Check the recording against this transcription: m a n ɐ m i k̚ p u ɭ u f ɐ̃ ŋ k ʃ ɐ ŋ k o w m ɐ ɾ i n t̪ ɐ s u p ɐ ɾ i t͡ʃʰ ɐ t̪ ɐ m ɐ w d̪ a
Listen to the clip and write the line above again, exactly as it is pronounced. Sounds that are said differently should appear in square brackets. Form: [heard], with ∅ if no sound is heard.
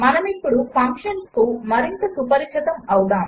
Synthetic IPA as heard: m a n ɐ m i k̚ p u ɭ u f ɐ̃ ŋ k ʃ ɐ [n] k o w m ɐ ɾ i n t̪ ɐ s u p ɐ ɾ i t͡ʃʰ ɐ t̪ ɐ m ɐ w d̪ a